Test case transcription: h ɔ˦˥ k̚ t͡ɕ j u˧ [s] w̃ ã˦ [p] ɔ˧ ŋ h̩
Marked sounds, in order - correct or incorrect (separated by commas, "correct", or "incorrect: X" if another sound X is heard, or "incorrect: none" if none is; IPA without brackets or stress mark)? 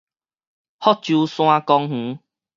correct, incorrect: k